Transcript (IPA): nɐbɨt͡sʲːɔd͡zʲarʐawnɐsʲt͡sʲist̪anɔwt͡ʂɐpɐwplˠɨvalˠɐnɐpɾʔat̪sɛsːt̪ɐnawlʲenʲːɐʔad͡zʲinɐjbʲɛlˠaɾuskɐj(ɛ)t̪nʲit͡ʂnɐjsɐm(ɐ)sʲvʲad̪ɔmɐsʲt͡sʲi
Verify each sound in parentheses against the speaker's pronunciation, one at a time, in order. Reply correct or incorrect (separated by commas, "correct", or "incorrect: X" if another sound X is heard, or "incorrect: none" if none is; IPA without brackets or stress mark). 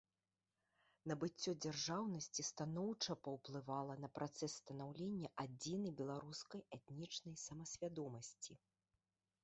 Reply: correct, correct